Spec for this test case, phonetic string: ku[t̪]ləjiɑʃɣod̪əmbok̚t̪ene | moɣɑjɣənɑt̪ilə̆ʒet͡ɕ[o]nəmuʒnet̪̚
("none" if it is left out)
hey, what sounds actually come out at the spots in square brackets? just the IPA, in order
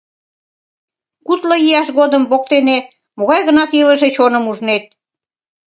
t̪, o

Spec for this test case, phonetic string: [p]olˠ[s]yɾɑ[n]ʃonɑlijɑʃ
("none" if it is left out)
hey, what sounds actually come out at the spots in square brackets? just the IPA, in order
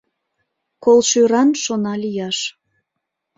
k, ʃ, n

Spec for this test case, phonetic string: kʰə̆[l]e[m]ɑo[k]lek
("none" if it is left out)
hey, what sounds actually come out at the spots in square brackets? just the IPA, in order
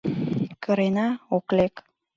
ɾ, n, k

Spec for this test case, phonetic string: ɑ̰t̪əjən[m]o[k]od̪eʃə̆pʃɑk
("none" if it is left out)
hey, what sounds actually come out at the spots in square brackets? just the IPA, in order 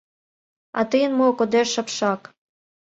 m, k

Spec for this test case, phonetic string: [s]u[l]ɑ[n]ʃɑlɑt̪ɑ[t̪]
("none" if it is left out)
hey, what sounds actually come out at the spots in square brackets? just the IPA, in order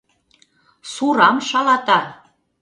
s, ɾ, m, none

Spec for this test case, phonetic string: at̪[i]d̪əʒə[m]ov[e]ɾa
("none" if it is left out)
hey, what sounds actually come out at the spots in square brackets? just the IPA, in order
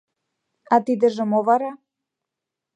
i, m, a

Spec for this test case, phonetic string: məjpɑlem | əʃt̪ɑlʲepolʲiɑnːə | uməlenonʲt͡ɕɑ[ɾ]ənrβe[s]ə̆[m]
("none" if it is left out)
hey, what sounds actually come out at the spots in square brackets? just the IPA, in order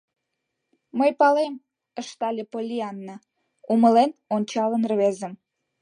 l, z, m

